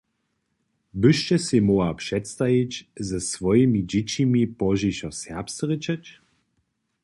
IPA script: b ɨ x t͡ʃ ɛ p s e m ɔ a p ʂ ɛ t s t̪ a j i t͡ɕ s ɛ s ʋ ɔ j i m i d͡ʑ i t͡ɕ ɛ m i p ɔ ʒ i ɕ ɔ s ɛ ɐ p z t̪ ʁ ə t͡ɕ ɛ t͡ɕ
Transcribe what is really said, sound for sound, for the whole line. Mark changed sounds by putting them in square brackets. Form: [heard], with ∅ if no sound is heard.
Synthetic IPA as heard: b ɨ [ʃ] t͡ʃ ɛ [∅] s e m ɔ a p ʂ ɛ t s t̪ a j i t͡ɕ [z] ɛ s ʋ ɔ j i m i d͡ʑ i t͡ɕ [i] m i p ɔ ʒ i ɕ ɔ s ɛ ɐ p [s] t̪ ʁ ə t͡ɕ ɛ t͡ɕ